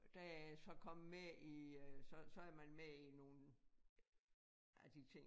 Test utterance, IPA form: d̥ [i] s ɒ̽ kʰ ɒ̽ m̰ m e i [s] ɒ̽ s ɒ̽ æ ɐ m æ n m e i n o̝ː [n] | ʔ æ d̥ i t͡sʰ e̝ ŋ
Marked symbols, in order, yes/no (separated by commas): no, yes, yes